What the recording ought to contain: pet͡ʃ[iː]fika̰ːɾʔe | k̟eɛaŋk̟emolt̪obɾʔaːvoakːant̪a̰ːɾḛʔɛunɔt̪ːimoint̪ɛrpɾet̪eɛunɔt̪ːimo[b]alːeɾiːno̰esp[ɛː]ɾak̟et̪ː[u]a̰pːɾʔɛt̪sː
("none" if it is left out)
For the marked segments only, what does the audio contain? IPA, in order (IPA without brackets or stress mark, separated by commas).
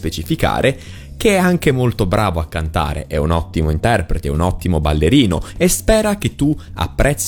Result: i, b, ɛː, u